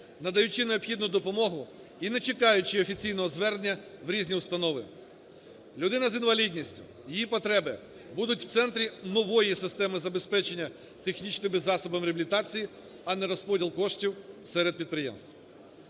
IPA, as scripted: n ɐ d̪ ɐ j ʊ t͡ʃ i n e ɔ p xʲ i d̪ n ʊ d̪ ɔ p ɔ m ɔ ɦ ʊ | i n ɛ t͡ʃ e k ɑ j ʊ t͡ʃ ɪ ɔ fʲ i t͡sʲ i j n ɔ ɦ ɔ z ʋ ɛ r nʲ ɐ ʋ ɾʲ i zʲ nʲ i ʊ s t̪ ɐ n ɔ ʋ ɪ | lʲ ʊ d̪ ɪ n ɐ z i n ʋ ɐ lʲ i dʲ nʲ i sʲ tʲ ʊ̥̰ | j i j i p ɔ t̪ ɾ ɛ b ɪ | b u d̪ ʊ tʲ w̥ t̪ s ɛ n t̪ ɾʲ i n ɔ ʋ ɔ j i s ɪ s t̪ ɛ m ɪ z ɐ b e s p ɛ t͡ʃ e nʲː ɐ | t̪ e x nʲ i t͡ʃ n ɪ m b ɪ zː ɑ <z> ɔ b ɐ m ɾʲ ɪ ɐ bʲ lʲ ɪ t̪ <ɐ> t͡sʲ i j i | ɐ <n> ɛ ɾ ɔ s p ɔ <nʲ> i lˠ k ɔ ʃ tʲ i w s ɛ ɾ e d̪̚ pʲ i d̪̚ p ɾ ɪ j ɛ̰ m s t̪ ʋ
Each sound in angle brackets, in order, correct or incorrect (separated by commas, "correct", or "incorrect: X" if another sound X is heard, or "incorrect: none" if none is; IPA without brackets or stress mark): incorrect: s, incorrect: ɑ, correct, incorrect: dʲ